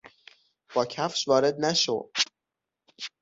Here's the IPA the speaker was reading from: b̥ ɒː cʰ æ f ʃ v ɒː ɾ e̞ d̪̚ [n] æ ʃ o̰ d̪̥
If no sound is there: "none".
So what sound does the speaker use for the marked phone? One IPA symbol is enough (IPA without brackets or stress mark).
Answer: n